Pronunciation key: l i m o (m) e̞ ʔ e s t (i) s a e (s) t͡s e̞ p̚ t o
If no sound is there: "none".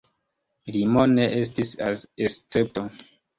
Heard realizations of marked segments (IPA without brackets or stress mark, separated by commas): n, i, s